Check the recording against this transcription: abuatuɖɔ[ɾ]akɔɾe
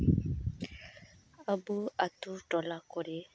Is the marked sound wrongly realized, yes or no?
yes